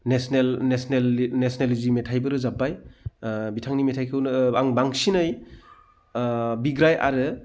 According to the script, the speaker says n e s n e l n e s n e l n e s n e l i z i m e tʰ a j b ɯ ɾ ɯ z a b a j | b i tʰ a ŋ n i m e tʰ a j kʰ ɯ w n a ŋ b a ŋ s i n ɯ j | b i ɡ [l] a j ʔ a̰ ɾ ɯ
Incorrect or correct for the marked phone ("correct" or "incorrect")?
incorrect